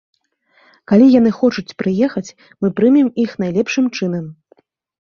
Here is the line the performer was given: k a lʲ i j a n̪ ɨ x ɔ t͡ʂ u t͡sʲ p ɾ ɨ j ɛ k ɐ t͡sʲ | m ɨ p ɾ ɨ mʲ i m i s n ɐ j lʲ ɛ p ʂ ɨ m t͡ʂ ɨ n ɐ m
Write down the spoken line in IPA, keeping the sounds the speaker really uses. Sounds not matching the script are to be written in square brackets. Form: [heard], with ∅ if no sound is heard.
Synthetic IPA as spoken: k a lʲ i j a n̪ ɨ x ɔ t͡ʂ u t͡sʲ p ɾ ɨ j ɛ [x] ɐ t͡sʲ | m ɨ p ɾ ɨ mʲ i m i [x] n [a] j lʲ ɛ p ʂ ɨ m t͡ʂ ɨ n ɐ m